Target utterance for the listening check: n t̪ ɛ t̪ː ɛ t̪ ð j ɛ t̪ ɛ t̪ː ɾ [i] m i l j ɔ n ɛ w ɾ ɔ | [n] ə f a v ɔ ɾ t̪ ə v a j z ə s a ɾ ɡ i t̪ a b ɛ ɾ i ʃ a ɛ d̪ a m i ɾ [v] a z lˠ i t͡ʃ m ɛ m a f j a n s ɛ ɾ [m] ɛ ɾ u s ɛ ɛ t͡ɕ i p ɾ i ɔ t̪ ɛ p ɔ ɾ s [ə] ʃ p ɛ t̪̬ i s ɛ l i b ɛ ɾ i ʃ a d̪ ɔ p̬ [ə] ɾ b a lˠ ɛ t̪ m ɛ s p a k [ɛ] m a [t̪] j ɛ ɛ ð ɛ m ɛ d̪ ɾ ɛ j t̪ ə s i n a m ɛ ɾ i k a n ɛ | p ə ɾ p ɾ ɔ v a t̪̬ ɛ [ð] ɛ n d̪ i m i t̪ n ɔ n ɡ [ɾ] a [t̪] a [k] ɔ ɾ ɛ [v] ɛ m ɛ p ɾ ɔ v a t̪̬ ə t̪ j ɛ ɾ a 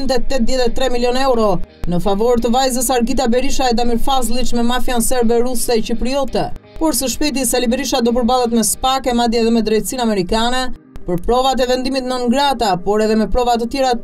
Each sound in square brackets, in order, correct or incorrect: incorrect, correct, incorrect, incorrect, correct, correct, correct, incorrect, incorrect, correct, correct, incorrect, incorrect

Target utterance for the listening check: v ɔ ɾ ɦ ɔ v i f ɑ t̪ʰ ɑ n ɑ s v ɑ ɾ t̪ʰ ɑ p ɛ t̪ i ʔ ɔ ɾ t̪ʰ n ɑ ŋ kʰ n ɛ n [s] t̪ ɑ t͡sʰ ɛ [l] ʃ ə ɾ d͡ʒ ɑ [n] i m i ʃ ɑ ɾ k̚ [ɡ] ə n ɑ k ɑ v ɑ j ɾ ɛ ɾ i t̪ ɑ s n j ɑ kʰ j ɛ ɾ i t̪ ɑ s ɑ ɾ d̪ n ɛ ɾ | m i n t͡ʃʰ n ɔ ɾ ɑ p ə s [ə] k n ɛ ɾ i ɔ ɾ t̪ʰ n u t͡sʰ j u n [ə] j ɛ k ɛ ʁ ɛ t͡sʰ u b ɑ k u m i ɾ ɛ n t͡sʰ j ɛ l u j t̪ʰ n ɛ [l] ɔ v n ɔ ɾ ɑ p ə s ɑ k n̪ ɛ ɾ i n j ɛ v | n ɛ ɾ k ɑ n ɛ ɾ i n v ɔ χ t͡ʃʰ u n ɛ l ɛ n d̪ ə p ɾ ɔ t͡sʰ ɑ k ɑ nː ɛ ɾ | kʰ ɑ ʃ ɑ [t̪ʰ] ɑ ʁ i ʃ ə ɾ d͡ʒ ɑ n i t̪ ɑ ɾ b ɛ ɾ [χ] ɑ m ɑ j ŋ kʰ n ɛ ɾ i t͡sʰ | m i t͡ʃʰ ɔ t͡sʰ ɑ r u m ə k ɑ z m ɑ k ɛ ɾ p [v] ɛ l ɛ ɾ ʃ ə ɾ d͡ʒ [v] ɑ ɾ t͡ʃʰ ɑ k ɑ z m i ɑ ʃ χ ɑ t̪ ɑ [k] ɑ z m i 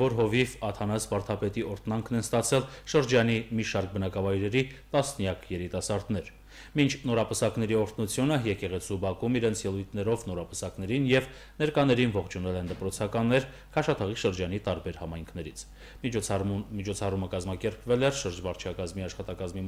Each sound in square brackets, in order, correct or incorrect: correct, correct, correct, incorrect, incorrect, correct, incorrect, correct, incorrect, correct, correct, correct

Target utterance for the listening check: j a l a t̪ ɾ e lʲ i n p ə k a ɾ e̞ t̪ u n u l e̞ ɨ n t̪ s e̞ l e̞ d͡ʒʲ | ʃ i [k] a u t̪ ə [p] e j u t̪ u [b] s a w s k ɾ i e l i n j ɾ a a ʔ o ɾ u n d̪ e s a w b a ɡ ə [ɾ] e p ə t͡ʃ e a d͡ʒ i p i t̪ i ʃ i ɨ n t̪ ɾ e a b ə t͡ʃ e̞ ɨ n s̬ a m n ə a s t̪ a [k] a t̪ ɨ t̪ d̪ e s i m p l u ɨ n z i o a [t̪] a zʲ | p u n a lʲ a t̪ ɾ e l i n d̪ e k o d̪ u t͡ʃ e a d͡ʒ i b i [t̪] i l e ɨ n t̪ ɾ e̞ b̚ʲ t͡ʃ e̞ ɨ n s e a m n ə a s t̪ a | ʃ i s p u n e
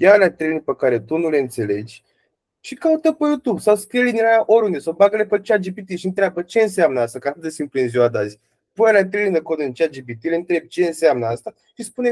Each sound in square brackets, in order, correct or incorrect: correct, correct, correct, incorrect, correct, incorrect, correct

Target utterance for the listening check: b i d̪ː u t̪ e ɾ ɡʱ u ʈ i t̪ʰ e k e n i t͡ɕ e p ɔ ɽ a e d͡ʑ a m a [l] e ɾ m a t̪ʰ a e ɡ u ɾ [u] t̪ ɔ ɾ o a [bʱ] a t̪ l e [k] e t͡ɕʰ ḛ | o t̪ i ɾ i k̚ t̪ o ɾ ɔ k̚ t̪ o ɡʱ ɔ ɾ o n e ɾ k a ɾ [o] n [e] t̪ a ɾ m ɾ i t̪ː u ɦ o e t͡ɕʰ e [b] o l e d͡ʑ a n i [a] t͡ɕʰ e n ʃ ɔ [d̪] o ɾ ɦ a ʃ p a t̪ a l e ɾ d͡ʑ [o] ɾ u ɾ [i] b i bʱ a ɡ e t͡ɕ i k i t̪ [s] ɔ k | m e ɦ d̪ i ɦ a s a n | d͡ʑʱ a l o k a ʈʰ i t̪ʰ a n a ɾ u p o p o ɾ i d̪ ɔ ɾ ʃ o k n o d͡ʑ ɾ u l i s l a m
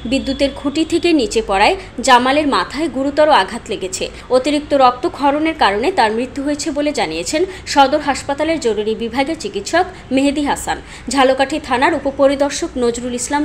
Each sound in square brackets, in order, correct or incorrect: correct, correct, incorrect, incorrect, correct, correct, correct, incorrect, correct, correct, correct, incorrect

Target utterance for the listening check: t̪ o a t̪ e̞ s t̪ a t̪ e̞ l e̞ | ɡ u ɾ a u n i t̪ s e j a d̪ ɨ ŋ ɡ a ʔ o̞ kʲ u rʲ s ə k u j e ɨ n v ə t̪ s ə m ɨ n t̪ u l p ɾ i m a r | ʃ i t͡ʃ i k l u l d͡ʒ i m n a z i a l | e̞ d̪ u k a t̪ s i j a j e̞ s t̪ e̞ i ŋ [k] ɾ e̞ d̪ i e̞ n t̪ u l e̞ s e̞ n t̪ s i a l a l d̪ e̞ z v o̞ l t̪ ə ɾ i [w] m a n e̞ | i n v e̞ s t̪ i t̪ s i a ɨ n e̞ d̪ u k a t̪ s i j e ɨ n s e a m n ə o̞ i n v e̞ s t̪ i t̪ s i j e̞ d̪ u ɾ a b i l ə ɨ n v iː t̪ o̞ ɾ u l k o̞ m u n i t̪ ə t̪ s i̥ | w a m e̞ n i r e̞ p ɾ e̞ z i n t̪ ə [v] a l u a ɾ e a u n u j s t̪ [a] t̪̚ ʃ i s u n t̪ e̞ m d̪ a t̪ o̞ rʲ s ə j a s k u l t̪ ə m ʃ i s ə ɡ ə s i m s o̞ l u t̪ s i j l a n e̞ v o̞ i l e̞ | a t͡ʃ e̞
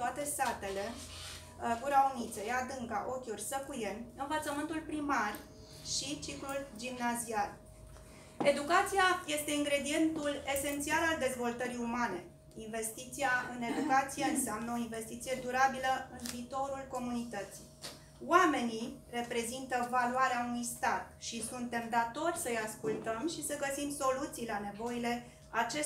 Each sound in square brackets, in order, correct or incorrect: incorrect, incorrect, correct, correct

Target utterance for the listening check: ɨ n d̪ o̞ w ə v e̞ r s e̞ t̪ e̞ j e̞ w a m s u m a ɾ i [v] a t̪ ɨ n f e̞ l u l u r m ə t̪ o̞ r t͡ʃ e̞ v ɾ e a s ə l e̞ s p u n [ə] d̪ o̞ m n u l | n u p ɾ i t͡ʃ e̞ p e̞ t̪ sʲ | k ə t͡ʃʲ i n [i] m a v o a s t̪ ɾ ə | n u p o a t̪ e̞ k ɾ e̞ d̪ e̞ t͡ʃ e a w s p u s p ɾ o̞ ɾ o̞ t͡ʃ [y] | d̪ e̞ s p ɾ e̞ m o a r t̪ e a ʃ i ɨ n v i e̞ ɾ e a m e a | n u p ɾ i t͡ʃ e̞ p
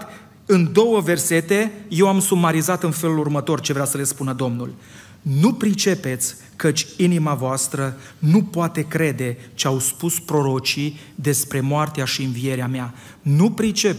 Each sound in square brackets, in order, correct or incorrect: incorrect, correct, correct, incorrect

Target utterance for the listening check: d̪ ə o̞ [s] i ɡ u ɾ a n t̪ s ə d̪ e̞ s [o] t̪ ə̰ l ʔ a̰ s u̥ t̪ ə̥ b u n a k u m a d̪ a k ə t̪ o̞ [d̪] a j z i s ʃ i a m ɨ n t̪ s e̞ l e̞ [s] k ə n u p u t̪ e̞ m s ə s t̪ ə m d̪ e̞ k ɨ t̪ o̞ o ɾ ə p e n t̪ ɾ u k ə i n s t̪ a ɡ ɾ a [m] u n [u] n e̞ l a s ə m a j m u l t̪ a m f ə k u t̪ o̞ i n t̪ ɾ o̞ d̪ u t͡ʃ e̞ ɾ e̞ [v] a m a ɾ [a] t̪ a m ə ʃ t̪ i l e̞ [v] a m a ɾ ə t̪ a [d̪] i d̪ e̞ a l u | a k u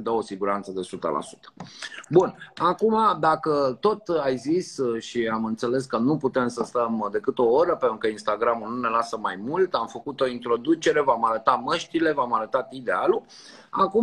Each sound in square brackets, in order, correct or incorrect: correct, incorrect, incorrect, correct, correct, correct, correct, incorrect, correct, incorrect

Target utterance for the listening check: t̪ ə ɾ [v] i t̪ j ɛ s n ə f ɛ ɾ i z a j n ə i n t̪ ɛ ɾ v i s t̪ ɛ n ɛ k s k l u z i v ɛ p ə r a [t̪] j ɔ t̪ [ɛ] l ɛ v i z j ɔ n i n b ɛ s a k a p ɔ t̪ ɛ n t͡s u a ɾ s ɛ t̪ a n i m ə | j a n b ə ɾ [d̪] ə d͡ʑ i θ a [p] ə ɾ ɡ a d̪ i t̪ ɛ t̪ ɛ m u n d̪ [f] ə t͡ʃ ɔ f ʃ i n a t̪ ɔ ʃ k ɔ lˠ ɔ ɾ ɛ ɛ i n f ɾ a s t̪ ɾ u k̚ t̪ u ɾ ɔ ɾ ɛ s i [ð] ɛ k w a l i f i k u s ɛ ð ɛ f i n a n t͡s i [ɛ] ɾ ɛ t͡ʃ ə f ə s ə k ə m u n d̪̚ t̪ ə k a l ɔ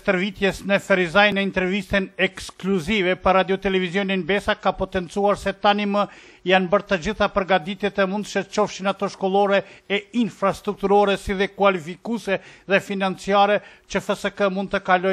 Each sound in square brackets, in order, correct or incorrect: correct, incorrect, correct, incorrect, correct, incorrect, correct, incorrect

